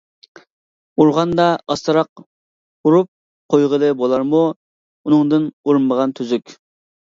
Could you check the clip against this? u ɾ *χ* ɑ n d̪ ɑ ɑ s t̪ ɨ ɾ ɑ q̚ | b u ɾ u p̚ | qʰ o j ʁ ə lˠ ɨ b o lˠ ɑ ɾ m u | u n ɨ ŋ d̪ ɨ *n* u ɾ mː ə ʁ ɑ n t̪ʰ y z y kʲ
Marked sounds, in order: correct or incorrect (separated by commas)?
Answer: incorrect, correct